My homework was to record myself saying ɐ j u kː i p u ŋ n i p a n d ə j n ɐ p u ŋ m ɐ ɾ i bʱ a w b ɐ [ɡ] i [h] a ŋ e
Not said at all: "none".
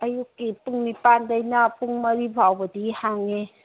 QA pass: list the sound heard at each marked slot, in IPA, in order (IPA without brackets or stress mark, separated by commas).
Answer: d, h